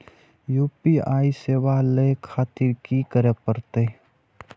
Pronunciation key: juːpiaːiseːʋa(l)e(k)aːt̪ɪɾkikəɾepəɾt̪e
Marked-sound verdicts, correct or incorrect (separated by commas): correct, incorrect